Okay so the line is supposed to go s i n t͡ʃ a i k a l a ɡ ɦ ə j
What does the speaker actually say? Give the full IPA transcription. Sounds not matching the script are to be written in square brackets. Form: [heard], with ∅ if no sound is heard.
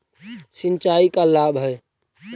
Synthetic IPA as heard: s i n t͡ʃ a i k a l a [b] ɦ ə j